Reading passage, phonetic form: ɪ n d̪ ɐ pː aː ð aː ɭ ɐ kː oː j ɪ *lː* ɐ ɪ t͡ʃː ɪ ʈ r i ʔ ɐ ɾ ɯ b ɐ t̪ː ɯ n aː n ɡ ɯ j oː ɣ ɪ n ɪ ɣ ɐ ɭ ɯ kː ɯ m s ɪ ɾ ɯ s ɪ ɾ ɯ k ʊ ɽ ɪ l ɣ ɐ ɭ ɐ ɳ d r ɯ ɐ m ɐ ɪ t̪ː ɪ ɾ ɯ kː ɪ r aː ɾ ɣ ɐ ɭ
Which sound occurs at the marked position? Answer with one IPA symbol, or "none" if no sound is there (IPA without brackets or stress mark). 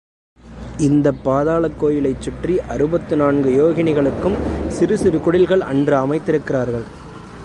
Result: l